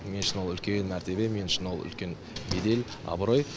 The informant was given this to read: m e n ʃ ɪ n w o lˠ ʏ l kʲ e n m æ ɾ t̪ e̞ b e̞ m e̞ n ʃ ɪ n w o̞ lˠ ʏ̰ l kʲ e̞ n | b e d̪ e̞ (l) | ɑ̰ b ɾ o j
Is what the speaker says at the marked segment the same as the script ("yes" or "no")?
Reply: yes